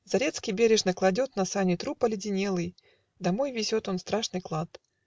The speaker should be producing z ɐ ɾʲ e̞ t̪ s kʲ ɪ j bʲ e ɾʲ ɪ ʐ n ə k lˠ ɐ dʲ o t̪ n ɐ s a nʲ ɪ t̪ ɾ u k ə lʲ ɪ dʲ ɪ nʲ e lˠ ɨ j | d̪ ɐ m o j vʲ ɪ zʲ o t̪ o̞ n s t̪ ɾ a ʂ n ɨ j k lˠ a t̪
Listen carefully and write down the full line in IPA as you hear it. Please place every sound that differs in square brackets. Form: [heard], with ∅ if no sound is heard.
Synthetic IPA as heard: z ɐ ɾʲ e̞ t̪ s kʲ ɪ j bʲ e ɾʲ ɪ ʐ n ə k lˠ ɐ dʲ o t̪ n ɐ s a nʲ ɪ t̪ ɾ u [p] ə lʲ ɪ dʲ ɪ nʲ e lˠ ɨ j | d̪ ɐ m o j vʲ ɪ zʲ o t̪ o̞ n s t̪ ɾ a ʂ n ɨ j k lˠ a t̪